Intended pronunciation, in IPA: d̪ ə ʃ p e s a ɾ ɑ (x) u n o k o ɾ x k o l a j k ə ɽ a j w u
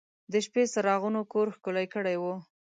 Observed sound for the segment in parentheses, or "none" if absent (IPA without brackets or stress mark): ɣ